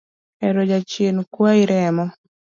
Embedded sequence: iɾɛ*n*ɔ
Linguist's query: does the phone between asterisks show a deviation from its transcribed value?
yes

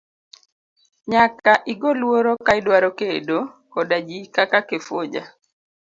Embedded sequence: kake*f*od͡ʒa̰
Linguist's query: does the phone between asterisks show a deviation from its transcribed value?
no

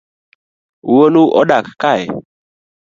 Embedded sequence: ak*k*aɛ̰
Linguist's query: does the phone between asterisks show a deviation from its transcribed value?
no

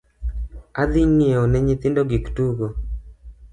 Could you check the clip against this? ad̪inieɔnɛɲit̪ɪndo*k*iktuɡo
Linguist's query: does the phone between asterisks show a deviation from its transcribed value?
yes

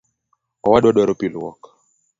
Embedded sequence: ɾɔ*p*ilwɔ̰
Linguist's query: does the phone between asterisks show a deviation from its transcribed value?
no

